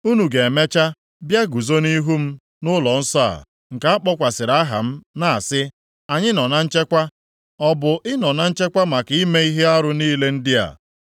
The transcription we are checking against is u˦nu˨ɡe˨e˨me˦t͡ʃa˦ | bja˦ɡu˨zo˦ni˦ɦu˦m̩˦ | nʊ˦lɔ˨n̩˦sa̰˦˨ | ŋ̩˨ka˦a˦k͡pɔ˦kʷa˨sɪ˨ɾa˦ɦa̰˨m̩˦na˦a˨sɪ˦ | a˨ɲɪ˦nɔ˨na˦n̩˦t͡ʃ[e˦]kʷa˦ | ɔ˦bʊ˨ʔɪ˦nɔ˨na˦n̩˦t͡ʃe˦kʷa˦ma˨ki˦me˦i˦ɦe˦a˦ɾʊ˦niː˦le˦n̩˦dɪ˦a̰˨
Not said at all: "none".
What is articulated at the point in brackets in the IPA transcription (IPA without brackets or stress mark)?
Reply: e˦